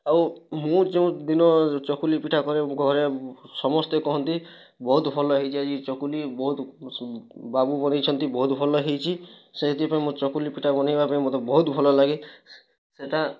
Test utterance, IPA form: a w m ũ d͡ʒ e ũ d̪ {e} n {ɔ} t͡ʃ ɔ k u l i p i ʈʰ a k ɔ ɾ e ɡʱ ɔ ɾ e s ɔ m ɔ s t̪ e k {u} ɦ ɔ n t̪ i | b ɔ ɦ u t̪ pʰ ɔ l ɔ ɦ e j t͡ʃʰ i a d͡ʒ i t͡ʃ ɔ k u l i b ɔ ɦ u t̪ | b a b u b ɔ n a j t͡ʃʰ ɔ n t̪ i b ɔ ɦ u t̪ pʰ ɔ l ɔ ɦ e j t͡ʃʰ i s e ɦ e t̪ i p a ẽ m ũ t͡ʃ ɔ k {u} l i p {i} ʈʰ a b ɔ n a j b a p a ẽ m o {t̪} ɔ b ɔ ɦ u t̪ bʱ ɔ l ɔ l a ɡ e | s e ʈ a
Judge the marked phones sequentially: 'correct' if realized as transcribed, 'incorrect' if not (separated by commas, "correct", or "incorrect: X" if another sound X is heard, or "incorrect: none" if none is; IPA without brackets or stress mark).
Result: incorrect: i, correct, incorrect: ɔ, correct, correct, correct